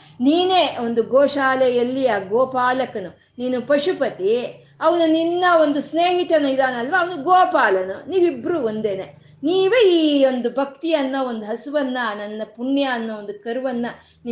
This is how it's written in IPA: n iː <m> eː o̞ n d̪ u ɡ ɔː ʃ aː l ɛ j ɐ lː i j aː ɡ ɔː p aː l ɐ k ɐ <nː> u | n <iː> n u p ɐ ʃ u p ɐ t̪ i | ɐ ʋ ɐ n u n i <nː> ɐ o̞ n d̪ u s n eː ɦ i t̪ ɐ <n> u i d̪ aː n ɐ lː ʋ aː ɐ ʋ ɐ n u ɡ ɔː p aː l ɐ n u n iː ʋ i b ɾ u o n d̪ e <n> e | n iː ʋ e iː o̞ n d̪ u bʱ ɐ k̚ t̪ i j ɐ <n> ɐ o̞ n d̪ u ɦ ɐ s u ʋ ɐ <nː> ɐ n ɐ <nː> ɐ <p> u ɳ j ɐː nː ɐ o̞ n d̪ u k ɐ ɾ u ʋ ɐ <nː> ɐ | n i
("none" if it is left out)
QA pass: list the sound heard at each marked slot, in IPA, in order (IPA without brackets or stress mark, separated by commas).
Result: n, n, iː, nː, n, n, nː, nː, nː, p, nː